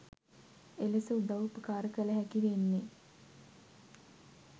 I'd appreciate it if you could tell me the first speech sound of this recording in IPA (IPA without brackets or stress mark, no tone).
e